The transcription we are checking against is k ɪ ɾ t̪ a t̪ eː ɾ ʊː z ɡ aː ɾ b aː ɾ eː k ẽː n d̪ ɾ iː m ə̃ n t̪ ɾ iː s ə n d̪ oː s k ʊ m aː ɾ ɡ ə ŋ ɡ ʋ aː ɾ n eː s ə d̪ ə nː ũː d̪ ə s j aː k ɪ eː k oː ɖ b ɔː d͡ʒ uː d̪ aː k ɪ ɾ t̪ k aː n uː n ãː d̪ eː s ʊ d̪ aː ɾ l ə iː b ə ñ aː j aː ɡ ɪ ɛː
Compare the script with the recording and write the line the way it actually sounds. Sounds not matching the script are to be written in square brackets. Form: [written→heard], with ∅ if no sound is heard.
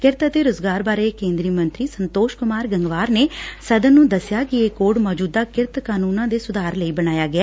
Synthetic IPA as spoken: k ɪ ɾ t̪ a t̪ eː ɾ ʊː z ɡ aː ɾ b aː ɾ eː k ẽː n d̪ ɾ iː m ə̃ n t̪ ɾ iː s ə n [d̪→t̪] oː [s→ʃ] k ʊ m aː ɾ ɡ ə ŋ ɡ ʋ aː ɾ n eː s ə d̪ ə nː ũː d̪ ə s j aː k ɪ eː k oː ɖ [b→m] ɔː d͡ʒ uː d̪ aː k ɪ ɾ t̪ k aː n uː n ãː d̪ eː s ʊ d̪ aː ɾ l ə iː b ə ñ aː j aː ɡ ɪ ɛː